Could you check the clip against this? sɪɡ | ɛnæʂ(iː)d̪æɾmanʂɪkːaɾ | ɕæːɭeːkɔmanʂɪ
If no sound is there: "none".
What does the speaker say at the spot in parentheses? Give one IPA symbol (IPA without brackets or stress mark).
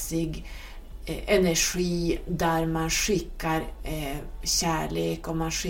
iː